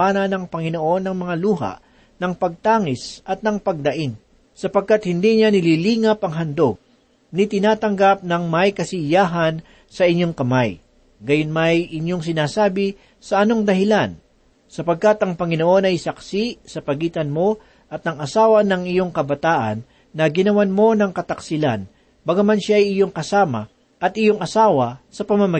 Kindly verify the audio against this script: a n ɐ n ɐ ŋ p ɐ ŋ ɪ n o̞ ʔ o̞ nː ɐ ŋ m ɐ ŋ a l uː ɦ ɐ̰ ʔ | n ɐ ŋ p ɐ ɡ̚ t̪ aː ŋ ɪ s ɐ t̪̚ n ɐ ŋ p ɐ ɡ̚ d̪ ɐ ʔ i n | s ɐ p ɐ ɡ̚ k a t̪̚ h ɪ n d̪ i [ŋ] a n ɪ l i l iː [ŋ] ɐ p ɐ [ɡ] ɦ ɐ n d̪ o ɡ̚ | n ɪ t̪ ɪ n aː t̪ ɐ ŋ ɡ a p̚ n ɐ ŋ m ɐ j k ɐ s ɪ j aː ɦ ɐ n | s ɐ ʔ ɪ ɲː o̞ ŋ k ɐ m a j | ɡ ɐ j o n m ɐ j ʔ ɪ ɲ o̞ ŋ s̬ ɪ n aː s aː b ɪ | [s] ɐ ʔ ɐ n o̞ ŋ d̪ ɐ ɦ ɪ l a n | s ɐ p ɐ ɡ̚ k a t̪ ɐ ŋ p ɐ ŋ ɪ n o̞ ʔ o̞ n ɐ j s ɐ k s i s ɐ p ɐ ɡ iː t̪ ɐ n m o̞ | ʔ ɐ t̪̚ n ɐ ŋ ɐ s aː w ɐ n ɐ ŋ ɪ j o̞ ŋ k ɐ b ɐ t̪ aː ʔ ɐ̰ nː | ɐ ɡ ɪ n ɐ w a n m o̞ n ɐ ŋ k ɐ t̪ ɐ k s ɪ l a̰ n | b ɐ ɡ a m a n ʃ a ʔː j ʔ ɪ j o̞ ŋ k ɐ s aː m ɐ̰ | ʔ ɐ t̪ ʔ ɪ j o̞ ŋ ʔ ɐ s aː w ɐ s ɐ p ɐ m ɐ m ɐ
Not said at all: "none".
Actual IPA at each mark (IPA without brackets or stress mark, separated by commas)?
ɲ, ŋ, ŋ, s